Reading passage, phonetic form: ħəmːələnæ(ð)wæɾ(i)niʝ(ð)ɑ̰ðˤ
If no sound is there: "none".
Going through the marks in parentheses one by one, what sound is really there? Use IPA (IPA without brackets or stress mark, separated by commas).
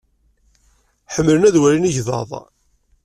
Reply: ð, i, ð